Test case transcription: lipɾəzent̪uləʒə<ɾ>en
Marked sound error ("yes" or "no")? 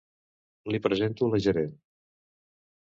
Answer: no